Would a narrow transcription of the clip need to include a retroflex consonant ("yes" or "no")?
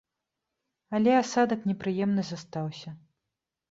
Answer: no